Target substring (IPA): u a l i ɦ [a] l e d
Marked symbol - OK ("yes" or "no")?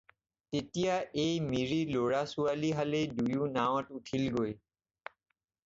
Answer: yes